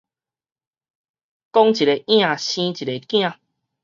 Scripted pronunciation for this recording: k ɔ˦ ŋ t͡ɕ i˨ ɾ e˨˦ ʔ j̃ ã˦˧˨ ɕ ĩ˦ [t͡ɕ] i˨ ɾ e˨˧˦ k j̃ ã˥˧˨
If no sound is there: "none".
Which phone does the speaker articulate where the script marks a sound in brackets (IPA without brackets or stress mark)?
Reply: t͡ɕ